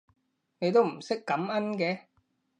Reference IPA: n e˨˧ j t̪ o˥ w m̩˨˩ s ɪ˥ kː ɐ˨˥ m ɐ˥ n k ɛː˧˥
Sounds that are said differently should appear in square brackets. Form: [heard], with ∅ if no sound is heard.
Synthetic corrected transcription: n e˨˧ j t̪ o˥ w m̩˨˩ s ɪ˥ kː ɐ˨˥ m ɐ˥ n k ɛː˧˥